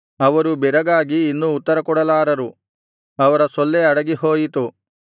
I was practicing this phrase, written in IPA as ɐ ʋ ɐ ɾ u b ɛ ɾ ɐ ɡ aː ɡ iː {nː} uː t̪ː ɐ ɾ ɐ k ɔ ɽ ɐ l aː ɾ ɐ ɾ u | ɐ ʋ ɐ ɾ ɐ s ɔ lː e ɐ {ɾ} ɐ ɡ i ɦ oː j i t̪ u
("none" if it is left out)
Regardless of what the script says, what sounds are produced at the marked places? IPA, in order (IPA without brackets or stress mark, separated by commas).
nː, ɽ